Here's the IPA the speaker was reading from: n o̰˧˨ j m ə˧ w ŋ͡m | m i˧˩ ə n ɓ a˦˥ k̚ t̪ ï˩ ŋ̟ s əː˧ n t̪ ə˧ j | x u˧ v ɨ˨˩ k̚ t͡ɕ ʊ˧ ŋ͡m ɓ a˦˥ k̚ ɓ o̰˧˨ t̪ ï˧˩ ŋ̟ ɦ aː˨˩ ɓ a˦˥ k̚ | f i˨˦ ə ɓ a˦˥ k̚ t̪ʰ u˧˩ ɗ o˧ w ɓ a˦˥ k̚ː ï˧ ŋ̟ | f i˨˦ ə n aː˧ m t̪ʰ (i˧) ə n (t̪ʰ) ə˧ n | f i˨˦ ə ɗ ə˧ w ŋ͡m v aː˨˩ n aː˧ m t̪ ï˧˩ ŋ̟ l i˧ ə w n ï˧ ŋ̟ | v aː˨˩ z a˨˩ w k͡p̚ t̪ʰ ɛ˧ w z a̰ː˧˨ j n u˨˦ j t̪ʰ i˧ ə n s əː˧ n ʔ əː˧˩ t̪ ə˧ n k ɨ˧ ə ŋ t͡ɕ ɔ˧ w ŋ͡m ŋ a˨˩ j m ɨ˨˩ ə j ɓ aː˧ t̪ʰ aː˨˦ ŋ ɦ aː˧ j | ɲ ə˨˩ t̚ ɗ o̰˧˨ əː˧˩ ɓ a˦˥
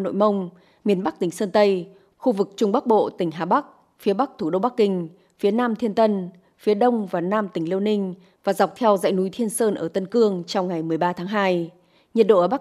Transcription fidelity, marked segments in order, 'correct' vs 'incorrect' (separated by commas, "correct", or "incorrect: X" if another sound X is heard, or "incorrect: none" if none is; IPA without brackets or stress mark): correct, incorrect: t̪